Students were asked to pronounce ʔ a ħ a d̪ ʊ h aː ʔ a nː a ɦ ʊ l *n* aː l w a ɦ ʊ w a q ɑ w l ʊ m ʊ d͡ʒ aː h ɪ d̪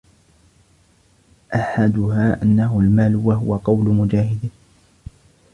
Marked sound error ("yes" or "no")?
yes